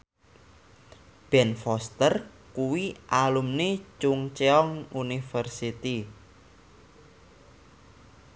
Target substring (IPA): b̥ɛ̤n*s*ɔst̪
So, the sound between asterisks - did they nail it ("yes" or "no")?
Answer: no